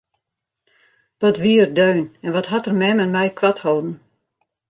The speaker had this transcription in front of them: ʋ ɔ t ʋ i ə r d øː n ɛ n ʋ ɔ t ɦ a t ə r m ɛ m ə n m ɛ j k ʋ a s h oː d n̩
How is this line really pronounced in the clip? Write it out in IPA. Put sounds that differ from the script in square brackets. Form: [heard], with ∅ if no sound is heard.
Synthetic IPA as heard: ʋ ɔ t ʋ i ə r d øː n ɛ n ʋ ɔ t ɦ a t ə r m ɛ m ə n m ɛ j k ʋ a [t] h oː d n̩